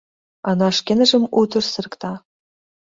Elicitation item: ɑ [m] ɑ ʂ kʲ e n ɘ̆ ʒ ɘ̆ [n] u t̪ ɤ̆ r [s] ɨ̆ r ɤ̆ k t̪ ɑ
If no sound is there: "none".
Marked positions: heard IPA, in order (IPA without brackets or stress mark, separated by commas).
n, m, s